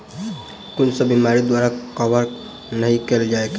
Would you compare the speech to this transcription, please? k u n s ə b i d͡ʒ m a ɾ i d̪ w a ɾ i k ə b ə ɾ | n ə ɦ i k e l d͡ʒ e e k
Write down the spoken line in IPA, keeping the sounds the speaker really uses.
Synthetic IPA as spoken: k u n s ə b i m a ɾ i d̪ w a ɾ a k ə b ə ɾ | n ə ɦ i k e l d͡ʒ a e k